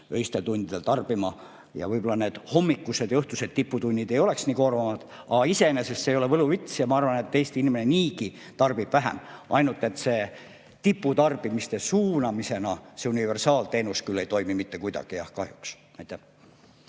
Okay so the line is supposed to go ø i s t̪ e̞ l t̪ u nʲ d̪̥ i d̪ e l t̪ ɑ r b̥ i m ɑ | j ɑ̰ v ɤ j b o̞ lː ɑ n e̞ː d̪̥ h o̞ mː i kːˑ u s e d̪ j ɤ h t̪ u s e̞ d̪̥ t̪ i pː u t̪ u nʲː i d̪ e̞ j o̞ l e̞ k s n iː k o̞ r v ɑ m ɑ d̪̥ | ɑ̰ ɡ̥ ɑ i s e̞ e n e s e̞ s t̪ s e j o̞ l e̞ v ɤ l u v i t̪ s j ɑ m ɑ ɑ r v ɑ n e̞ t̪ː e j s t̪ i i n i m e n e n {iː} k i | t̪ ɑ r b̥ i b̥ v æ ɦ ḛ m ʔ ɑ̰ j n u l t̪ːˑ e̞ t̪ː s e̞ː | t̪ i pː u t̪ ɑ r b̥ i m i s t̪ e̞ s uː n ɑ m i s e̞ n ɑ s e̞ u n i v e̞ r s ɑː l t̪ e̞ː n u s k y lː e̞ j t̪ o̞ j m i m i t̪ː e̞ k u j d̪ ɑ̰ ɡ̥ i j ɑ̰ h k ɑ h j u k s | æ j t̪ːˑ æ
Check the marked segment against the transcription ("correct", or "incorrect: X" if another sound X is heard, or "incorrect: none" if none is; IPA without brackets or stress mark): correct